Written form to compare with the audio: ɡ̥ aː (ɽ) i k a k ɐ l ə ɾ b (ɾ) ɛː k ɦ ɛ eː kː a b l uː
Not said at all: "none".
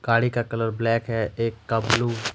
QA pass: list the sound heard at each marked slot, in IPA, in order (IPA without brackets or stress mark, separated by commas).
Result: ɽ, l